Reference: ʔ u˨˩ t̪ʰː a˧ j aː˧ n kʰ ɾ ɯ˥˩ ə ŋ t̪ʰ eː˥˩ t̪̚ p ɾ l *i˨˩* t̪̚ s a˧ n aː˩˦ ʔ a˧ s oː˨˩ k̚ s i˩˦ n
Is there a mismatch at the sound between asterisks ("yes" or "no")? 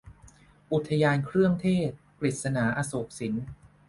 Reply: no